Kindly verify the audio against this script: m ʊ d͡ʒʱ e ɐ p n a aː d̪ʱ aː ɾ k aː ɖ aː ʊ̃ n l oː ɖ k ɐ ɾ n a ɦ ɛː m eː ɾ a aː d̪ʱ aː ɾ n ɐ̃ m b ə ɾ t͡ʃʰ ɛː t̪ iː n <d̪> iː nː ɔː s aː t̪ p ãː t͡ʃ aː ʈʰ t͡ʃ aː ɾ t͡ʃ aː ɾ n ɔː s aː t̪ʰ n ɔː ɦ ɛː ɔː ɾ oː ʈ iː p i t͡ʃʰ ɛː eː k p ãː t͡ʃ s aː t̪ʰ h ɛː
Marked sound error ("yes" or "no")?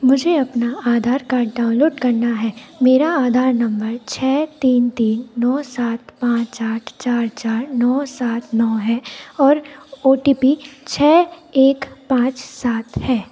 yes